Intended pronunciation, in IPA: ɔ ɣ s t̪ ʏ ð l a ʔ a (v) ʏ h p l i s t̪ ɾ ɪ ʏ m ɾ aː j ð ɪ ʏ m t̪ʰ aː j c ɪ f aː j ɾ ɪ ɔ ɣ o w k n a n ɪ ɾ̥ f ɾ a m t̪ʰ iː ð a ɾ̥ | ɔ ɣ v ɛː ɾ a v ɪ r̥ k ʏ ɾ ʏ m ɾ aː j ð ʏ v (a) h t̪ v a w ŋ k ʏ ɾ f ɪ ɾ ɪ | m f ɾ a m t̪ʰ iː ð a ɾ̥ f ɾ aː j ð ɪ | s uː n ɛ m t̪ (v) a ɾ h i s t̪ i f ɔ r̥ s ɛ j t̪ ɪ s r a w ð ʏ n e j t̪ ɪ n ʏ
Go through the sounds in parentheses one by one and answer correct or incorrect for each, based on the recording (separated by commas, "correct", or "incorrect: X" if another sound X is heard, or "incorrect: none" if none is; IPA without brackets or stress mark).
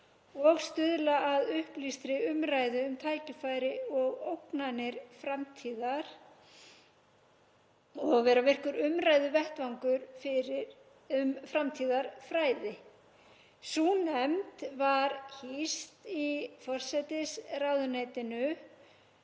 incorrect: ð, incorrect: ɛ, correct